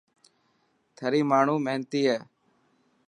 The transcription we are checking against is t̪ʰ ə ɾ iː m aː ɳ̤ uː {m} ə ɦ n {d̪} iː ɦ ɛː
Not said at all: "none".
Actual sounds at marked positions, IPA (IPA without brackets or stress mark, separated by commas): m, t̪